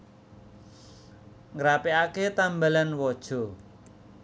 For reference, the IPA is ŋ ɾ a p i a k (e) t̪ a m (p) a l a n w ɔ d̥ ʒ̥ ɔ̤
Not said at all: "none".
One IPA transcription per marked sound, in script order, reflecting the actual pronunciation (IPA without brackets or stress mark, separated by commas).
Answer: e, b